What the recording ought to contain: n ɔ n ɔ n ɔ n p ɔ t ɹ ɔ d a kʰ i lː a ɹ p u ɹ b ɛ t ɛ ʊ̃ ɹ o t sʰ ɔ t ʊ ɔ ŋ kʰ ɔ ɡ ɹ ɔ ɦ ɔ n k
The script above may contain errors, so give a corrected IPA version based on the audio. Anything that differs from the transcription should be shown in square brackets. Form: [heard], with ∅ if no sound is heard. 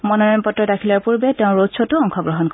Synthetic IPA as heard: [m] ɔ n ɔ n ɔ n p ɔ t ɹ ɔ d a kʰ i [l] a ɹ p u ɹ b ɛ t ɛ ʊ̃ ɹ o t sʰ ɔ t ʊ ɔ ŋ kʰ ɔ ɡ ɹ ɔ ɦ ɔ n k